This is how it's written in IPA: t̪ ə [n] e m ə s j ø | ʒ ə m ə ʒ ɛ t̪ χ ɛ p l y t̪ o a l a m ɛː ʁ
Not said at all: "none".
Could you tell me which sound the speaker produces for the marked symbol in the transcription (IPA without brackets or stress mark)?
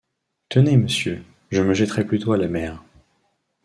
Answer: n